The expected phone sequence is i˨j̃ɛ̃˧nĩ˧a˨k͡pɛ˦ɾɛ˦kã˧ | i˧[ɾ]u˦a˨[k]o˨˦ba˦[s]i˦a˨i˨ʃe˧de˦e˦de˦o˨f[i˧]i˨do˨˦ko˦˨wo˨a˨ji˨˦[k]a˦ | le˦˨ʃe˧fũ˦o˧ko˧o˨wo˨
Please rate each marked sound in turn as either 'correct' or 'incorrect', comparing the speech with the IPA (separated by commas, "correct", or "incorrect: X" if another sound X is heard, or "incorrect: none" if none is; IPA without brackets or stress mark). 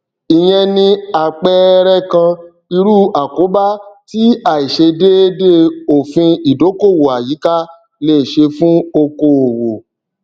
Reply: correct, correct, incorrect: t, incorrect: ĩ˧, correct